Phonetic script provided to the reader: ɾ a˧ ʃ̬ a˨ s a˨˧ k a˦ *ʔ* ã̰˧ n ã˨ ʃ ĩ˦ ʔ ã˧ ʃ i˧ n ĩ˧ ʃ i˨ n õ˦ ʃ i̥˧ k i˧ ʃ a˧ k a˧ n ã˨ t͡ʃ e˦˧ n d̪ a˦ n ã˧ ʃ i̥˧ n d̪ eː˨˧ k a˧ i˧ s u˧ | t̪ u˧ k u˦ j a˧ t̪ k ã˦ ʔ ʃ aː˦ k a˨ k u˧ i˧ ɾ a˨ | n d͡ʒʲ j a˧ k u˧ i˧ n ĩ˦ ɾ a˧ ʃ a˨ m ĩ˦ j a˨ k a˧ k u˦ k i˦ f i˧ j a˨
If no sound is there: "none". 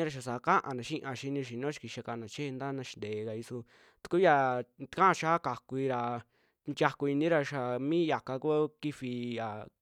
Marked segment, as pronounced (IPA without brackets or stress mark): ʔ